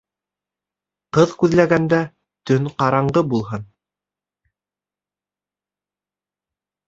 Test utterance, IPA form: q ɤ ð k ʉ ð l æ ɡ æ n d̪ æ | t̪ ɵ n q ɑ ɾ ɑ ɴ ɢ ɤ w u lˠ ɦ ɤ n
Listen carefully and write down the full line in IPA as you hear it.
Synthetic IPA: q ɤ ð k ʉ ð l æ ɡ æ n d̪ æ | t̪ ɵ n q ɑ ɾ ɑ ɴ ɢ ɤ b u lˠ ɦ ɤ n